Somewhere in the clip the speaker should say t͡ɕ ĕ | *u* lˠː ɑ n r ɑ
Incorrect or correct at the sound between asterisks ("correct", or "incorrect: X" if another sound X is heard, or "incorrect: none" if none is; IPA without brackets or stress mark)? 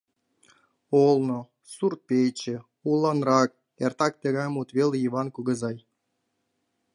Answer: correct